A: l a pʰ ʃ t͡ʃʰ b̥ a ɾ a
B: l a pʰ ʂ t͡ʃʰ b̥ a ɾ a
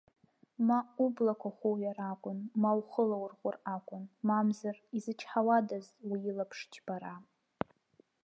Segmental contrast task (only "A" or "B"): B